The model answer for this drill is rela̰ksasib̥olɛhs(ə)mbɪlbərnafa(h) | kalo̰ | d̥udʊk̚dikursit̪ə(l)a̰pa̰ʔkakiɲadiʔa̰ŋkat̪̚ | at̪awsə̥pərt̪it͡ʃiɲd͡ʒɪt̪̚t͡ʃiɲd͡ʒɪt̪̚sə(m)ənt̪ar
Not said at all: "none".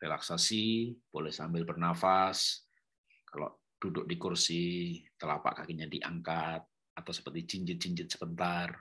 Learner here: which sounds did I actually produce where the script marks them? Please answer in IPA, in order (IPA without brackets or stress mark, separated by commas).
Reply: a, s, l, b